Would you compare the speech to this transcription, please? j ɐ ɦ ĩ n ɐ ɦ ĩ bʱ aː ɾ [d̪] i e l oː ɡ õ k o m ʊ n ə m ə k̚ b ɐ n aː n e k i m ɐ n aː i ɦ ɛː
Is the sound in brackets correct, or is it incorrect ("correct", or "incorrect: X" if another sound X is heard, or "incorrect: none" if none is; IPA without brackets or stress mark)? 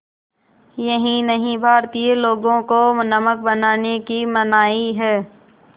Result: incorrect: t̪